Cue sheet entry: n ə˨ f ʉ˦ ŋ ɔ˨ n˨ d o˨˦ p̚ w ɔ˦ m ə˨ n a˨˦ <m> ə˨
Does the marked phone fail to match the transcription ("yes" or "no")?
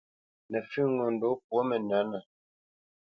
yes